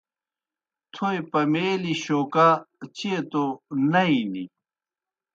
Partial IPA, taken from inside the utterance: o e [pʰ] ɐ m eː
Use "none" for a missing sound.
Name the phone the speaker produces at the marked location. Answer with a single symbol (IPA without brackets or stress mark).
p